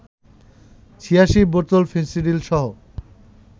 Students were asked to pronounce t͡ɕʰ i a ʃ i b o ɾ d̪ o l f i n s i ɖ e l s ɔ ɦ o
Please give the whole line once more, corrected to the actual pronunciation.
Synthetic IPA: t͡ɕʰ i a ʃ i b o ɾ t̪ o l f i n s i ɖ i l ʃ ɔ ɦ o